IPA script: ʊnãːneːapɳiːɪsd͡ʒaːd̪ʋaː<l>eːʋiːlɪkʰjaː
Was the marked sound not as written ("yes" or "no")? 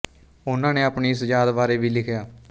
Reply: yes